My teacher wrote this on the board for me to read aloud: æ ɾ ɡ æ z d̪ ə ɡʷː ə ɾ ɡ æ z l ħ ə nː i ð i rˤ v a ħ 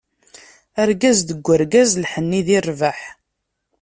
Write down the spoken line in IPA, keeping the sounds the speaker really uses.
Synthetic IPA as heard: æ ɾ ɡ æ z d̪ ə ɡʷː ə ɾ ɡ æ z l ħ ə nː i ð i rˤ v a ħ